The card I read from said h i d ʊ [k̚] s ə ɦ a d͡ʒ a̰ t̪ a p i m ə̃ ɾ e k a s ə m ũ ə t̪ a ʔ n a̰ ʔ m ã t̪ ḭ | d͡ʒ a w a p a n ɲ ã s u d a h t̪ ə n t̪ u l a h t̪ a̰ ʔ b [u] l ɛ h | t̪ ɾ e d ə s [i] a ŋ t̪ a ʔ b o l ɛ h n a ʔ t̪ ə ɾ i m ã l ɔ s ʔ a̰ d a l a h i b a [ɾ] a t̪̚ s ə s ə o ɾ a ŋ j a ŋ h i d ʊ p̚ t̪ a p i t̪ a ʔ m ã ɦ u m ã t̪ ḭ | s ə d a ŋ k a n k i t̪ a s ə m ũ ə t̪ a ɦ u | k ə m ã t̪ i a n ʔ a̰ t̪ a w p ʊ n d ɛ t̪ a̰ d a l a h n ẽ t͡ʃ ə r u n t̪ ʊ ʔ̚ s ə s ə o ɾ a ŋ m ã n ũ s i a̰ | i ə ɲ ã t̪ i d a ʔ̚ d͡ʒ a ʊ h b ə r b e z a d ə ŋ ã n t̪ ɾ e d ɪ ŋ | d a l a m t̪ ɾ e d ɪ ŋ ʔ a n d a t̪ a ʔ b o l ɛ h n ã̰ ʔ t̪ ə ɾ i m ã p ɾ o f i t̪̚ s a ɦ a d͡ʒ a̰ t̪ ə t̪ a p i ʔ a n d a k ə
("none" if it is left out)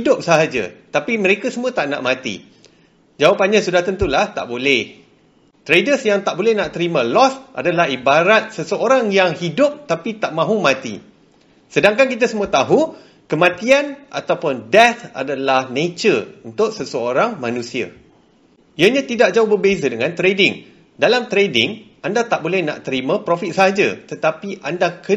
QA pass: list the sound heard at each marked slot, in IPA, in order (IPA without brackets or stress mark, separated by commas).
p̚, o, j, ɾ